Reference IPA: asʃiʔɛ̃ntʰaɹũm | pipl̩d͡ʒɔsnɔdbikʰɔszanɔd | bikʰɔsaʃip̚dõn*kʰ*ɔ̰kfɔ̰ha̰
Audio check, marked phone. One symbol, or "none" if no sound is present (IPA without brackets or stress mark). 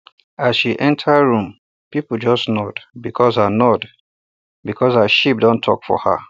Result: tʰ